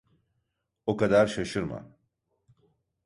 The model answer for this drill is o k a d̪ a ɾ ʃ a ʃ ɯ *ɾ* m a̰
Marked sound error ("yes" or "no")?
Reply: no